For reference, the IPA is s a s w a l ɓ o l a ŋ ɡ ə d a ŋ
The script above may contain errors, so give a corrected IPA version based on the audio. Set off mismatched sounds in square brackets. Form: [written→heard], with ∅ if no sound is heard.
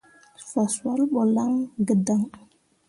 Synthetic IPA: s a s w a l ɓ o l a ŋ ɡ ə d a ŋ